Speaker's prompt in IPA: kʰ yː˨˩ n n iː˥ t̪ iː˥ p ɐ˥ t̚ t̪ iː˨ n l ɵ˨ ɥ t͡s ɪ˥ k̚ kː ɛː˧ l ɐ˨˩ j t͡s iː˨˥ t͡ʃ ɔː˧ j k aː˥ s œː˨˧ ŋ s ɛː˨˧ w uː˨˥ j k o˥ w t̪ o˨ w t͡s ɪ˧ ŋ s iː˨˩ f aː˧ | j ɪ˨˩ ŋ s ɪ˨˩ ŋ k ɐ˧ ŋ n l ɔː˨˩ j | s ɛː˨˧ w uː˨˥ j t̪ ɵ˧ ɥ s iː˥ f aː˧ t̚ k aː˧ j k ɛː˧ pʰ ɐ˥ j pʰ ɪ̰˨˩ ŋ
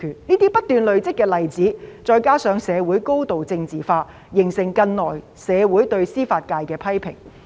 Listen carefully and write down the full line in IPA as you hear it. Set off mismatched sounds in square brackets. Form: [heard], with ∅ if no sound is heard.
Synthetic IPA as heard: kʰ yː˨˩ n n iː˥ t̪ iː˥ p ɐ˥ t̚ t̪ [yː˨] n l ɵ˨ ɥ t͡s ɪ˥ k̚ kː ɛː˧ l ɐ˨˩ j t͡s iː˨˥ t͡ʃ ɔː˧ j k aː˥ s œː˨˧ ŋ s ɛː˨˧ w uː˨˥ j k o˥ w t̪ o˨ w t͡s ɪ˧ ŋ [t͡s] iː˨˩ f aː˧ | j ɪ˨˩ ŋ s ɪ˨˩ ŋ k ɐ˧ [∅] n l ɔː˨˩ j | s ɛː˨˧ w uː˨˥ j t̪ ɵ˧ ɥ s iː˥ f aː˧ t̚ k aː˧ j k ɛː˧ pʰ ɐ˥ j pʰ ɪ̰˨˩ ŋ